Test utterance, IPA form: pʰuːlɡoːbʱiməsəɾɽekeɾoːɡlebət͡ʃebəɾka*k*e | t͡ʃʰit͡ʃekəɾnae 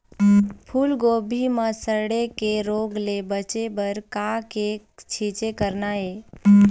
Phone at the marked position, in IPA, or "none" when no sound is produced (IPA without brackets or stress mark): k